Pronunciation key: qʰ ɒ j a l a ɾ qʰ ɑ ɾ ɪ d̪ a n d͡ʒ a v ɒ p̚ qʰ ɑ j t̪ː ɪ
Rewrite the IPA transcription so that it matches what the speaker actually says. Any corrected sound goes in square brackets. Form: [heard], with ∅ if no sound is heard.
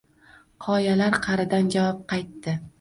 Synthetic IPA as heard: qʰ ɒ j a l a ɾ qʰ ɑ ɾ ɪ d̪ a n d͡ʒ a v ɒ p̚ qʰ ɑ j t̪ː ɪ